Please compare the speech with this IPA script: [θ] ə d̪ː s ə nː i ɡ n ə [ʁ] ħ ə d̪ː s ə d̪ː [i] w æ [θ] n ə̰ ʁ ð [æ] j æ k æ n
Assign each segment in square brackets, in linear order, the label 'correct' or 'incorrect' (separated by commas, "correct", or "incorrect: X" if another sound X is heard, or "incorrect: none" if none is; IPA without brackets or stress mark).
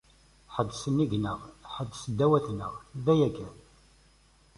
incorrect: ħ, correct, incorrect: æ, correct, correct